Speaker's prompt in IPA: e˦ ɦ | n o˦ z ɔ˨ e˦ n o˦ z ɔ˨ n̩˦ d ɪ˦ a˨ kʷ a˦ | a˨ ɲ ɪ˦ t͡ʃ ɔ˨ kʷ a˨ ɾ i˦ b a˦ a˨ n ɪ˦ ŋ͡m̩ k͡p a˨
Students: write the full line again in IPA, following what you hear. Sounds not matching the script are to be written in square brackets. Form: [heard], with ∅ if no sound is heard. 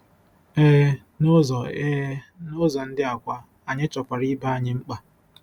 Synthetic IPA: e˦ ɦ | n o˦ z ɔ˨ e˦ n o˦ z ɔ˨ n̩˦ d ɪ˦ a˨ kʷ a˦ | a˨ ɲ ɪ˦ t͡ʃ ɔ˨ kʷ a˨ ɾ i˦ b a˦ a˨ [ɲ] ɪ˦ ŋ͡m̩ k͡p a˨